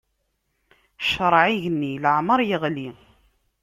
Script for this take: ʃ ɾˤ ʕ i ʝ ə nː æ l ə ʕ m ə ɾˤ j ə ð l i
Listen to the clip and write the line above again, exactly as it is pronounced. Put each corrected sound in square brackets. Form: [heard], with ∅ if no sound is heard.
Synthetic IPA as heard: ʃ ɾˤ ʕ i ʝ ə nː [i] l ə ʕ m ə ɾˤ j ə [ʁ] l i